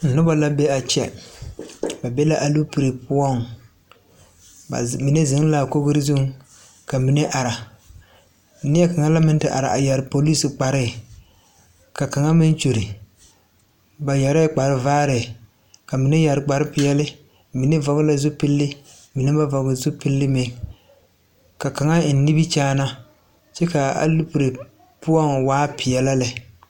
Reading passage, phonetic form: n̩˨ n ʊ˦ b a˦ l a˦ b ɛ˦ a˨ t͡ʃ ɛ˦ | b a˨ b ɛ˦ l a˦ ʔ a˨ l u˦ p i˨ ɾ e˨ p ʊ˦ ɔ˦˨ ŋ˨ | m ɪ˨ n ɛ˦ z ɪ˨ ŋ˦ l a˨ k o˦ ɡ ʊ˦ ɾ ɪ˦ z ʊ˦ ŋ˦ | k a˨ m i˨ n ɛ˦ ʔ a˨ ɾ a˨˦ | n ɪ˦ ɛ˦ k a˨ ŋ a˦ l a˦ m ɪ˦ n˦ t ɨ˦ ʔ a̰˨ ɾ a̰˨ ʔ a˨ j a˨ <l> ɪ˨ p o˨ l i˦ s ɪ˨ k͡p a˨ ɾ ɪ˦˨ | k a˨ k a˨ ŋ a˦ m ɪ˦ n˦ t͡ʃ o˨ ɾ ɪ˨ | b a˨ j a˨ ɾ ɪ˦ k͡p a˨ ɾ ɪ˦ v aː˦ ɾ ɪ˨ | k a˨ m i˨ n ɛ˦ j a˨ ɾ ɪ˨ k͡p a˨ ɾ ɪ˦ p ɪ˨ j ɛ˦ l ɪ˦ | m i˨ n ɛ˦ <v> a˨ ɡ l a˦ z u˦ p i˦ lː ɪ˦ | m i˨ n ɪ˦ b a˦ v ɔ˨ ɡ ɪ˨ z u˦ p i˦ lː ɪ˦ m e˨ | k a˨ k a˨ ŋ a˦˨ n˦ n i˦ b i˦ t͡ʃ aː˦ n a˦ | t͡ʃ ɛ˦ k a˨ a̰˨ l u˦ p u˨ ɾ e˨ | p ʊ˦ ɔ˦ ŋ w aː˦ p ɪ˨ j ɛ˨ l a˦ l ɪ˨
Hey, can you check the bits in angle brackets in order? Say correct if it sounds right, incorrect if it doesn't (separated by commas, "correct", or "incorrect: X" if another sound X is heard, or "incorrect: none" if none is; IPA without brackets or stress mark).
incorrect: ɾ, correct